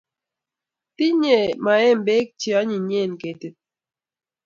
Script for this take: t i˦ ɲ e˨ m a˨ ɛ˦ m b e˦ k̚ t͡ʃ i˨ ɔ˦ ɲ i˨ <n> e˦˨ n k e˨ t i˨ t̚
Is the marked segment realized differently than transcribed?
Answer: yes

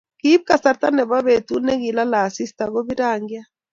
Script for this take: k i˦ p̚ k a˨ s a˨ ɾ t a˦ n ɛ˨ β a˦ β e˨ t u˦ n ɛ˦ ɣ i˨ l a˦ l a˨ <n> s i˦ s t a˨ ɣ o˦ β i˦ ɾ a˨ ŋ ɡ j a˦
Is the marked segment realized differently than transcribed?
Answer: yes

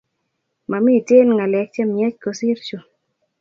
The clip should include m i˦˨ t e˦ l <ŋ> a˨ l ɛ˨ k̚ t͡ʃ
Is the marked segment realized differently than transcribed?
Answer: no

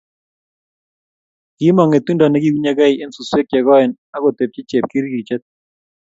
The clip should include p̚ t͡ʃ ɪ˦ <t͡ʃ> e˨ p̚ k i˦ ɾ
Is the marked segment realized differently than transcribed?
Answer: no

